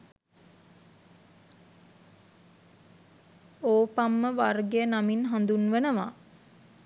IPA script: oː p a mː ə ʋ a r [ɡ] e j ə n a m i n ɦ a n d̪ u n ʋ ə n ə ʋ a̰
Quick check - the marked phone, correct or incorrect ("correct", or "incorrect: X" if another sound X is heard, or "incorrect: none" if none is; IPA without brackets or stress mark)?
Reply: correct